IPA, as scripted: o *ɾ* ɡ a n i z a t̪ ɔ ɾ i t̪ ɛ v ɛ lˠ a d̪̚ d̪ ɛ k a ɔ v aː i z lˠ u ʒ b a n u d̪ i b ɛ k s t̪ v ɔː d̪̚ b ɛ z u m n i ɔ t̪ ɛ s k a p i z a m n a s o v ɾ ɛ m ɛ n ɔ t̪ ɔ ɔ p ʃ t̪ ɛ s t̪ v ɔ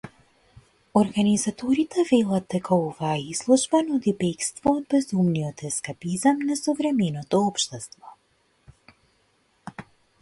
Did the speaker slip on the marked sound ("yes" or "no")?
no